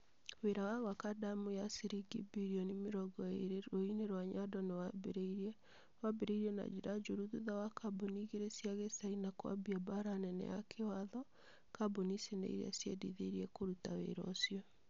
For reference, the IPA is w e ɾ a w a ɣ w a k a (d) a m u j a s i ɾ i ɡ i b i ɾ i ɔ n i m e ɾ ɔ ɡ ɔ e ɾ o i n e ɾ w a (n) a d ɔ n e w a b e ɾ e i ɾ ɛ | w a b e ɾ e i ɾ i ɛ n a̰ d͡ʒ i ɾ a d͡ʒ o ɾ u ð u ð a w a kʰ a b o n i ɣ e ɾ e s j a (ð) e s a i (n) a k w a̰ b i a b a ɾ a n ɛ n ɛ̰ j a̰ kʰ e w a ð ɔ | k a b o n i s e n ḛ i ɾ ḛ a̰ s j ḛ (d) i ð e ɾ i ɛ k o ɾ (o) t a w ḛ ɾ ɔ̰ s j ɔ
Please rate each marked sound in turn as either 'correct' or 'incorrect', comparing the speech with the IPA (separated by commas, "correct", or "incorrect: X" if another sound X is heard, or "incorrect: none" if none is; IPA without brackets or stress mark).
correct, incorrect: ɲ, incorrect: ɣ, correct, correct, incorrect: u